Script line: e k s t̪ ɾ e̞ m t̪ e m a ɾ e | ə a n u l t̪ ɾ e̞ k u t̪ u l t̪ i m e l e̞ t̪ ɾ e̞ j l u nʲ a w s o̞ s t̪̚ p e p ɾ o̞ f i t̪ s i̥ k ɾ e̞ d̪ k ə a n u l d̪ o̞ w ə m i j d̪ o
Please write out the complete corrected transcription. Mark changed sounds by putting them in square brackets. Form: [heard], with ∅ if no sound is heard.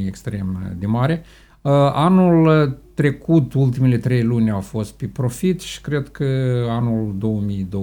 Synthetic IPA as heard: e k s t̪ ɾ e̞ m [d̪] e m a ɾ e | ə a n u l t̪ ɾ e̞ k u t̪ u l t̪ i m e l e̞ t̪ ɾ e̞ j l u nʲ a w [f] o̞ s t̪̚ p e p ɾ o̞ f i t̪ [ʃ] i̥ k ɾ e̞ d̪ k ə a n u l d̪ o̞ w ə m i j d̪ o